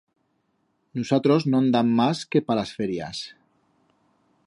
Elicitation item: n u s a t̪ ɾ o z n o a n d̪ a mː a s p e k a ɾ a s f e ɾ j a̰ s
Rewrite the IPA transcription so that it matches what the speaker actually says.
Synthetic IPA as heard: n u s a t̪ ɾ o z n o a n d̪ a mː a s k e p a l a s f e ɾ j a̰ s